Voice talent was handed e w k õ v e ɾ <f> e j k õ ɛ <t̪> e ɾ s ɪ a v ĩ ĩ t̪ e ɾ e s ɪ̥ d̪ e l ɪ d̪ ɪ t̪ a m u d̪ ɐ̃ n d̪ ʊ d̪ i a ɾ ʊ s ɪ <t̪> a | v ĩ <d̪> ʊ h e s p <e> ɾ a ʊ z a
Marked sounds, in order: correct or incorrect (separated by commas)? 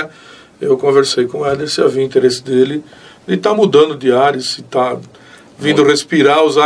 incorrect, incorrect, correct, correct, incorrect